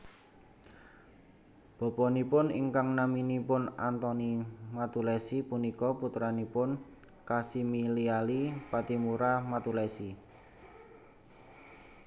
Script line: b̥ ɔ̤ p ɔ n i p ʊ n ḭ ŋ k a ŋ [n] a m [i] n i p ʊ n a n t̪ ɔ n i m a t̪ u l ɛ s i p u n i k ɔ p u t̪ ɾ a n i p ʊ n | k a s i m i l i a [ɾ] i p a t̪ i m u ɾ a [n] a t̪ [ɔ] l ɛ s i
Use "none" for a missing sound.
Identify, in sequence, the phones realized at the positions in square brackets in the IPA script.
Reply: n, i, l, m, u

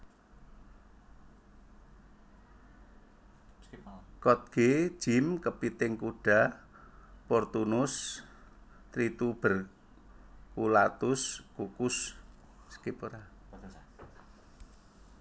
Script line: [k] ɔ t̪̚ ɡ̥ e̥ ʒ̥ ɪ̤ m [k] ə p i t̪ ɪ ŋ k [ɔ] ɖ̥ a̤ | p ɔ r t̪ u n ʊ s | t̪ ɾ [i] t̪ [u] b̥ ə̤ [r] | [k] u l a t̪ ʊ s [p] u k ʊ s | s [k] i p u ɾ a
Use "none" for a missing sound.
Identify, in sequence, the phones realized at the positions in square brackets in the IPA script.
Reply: k, k, u, i, u, r, k, k, k

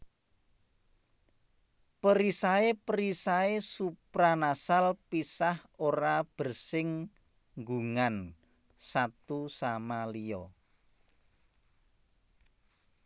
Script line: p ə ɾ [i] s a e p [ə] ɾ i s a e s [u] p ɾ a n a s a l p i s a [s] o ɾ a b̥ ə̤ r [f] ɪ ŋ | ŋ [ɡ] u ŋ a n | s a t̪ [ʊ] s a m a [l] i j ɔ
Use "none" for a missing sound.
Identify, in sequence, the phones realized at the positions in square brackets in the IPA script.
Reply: i, ə, u, h, s, ɡ, u, l

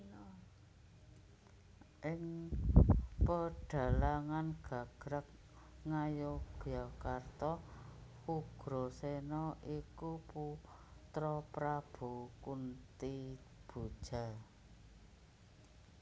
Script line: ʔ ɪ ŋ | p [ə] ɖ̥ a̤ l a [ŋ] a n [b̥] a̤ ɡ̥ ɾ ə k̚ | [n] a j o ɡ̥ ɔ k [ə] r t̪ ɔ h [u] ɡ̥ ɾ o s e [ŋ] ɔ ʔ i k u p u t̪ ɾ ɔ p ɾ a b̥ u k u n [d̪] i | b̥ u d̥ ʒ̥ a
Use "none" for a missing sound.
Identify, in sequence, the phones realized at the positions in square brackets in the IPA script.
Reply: ə, ŋ, ɡ̥, ŋ, a, u, n, t̪

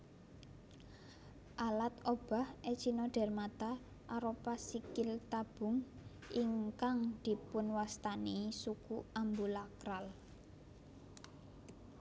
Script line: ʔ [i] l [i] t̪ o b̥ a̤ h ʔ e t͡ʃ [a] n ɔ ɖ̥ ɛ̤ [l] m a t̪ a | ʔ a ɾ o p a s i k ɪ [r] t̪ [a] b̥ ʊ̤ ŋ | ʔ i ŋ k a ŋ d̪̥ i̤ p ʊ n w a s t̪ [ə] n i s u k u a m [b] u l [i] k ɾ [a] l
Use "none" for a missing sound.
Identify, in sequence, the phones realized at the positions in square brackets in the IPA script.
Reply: a, a, i, r, l, a, a, b, a, a

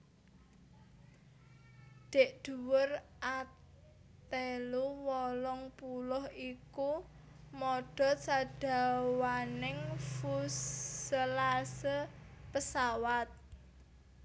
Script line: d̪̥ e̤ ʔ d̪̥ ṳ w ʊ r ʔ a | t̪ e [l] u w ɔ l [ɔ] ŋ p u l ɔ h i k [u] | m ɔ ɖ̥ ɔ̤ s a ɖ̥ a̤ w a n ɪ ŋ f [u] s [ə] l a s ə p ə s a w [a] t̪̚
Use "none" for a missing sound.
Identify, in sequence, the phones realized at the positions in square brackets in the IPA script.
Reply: l, ɔ, u, u, ə, a

